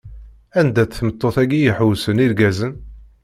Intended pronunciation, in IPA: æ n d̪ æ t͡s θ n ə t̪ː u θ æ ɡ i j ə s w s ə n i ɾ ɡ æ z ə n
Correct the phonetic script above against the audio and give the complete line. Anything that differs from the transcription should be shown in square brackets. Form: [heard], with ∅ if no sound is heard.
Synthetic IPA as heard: æ n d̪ æ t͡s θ [m] ə t̪ː [o] θ æ ɡ i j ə [ħ] w s ə n i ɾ ɡ æ z ə n